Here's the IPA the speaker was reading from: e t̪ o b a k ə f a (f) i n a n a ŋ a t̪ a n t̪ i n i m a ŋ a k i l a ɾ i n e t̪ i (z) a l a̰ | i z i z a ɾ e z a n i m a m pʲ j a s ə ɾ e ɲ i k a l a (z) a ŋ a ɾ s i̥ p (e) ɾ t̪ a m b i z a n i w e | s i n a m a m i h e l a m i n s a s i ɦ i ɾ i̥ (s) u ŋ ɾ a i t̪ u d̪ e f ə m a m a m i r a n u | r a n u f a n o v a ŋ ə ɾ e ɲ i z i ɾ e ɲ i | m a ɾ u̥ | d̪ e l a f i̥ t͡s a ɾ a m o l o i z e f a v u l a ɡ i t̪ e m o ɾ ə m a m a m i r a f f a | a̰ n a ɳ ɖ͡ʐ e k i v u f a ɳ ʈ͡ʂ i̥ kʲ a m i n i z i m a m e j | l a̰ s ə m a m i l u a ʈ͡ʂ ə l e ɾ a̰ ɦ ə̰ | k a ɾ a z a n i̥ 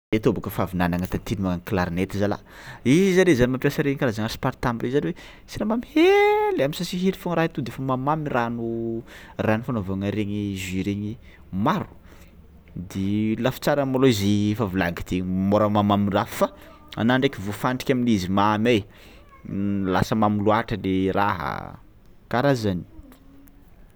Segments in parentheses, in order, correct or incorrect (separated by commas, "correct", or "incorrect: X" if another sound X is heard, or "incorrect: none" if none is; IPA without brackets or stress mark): incorrect: v, correct, correct, incorrect: a, incorrect: f